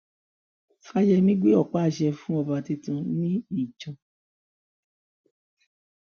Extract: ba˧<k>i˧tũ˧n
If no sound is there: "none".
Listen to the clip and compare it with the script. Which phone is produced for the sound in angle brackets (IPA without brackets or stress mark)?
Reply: t